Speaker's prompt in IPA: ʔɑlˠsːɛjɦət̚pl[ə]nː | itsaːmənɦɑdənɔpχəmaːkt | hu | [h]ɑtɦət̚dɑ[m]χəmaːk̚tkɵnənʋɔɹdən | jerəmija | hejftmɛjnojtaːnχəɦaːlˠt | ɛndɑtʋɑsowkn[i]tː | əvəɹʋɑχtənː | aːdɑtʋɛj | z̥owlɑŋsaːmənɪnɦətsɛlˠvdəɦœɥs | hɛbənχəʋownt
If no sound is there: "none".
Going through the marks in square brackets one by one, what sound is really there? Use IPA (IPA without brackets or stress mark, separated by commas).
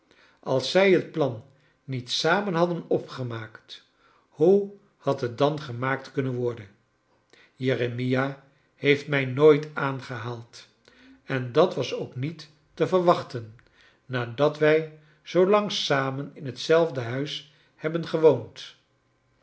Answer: ɑ, h, n, i